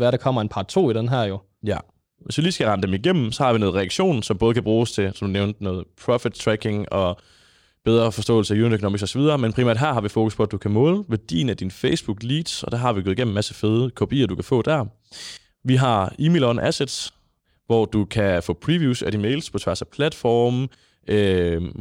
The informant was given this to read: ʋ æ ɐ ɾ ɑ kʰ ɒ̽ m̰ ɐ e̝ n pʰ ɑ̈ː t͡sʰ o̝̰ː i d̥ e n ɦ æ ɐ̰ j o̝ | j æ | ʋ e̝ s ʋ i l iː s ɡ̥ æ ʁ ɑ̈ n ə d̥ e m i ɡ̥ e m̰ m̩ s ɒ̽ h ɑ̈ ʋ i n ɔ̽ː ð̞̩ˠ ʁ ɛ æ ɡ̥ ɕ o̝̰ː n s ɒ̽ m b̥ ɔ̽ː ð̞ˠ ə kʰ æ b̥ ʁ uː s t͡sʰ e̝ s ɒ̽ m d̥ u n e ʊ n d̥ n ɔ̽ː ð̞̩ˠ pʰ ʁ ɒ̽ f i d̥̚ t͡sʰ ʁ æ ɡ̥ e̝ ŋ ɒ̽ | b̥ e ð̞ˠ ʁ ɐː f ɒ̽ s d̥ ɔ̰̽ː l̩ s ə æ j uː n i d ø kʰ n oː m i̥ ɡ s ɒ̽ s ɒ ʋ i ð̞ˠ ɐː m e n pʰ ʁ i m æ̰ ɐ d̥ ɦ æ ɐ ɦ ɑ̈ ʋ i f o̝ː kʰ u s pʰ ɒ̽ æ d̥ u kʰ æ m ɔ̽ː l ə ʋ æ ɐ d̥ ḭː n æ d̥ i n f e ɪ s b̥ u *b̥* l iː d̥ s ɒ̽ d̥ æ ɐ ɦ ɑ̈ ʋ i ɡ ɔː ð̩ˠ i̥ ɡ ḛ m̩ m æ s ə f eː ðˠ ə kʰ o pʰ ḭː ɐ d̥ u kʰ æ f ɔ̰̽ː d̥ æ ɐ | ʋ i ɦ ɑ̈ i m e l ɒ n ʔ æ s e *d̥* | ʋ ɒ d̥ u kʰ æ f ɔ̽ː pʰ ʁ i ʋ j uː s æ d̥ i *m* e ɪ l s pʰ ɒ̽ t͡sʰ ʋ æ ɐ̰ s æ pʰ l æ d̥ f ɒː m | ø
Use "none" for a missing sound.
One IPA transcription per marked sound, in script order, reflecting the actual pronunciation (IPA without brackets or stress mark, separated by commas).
ɡ̥, d̥, m